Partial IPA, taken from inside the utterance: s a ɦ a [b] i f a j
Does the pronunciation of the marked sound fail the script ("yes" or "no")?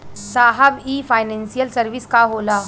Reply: no